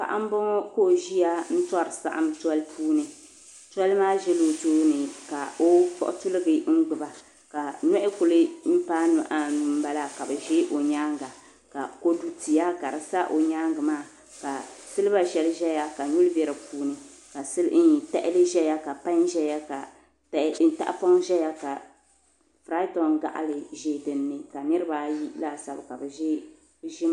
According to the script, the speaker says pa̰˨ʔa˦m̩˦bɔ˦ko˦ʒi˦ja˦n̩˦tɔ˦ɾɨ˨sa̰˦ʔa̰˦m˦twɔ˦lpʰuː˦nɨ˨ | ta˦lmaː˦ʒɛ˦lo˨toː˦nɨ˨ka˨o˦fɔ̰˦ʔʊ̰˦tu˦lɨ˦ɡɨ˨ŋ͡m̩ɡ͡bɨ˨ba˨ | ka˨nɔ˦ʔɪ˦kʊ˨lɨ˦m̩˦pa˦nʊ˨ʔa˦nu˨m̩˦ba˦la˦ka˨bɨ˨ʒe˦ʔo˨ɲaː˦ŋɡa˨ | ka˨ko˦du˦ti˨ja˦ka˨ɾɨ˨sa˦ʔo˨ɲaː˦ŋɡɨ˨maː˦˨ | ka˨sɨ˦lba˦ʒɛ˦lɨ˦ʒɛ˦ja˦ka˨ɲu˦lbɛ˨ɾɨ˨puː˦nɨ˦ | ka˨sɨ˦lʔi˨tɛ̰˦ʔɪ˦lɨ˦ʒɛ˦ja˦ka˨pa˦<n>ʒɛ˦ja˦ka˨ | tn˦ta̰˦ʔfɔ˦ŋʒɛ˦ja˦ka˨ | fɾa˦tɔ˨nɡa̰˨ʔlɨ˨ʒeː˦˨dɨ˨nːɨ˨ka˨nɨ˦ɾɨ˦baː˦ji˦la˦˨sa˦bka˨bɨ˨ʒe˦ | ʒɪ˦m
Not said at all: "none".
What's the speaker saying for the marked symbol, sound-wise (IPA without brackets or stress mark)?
n